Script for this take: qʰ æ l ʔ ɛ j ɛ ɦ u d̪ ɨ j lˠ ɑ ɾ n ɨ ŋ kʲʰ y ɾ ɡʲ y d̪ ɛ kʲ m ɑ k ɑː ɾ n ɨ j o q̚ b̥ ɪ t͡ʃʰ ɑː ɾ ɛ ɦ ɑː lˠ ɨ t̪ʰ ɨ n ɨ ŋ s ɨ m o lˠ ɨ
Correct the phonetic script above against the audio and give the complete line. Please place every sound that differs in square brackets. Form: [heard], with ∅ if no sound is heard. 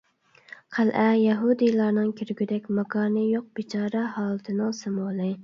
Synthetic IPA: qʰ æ l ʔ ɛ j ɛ ɦ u d̪ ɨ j lˠ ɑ ɾ n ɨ ŋ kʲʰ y ɾ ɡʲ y d̪ ɛ kʲ m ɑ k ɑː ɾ n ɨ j o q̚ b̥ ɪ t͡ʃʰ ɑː ɾ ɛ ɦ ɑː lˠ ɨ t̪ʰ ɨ n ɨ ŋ s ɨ m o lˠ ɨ